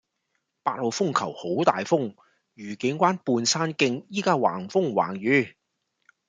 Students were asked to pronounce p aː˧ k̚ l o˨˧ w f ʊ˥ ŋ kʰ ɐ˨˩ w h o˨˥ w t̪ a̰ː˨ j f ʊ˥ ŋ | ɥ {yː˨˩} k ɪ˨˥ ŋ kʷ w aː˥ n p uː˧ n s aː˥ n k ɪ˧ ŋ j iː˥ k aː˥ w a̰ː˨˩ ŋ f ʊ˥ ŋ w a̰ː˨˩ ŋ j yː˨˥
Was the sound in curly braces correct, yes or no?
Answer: yes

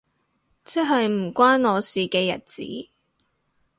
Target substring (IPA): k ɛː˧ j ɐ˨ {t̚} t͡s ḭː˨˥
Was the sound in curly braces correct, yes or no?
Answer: yes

